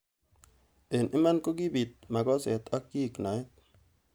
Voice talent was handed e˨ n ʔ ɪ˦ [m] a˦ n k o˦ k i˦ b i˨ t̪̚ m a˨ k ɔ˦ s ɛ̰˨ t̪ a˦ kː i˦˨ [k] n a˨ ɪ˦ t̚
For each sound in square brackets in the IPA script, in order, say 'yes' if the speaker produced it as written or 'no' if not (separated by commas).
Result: yes, yes